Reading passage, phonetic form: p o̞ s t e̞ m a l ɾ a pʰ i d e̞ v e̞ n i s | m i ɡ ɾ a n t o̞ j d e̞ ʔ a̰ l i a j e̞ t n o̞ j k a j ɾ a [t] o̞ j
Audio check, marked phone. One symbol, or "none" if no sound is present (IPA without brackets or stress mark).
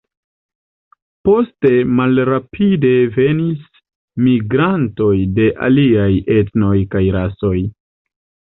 s